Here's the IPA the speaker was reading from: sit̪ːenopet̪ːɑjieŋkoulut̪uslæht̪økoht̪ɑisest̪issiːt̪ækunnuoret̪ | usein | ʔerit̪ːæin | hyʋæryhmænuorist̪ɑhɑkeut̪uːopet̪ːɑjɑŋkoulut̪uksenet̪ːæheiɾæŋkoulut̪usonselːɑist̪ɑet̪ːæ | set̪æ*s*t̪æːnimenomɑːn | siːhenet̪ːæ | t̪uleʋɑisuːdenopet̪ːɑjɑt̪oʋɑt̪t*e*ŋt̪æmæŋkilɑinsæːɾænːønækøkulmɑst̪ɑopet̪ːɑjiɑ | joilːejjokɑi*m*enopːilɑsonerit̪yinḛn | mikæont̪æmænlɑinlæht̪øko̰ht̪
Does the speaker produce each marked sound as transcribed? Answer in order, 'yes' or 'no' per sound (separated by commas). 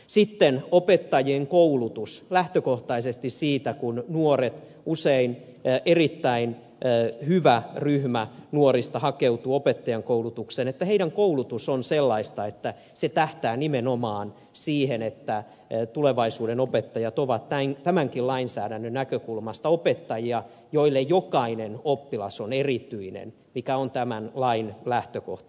no, no, no